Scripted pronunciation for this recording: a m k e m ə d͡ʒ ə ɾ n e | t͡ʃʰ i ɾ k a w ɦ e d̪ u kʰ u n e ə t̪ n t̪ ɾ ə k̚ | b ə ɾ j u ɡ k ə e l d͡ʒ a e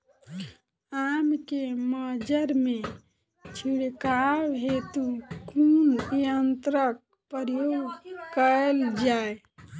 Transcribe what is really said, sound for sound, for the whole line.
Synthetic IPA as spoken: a m k e m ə d͡ʒ ə ɾ m e | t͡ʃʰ i ɽ k a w ɦ e t̪ u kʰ u n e ə n t̪ ɾ ə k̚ | p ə ɾ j o ɡ k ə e l d͡ʒ a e